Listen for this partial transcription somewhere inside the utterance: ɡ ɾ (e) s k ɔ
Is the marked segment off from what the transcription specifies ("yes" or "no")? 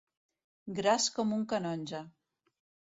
yes